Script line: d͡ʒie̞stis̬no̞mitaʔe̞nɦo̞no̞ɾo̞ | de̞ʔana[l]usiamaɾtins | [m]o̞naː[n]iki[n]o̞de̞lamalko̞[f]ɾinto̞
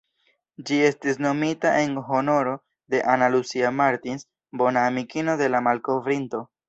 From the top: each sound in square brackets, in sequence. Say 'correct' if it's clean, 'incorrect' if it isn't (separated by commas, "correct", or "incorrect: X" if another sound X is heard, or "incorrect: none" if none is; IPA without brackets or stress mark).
correct, incorrect: b, incorrect: m, correct, incorrect: v